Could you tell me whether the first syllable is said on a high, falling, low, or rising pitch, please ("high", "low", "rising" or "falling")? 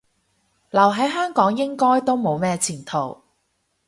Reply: low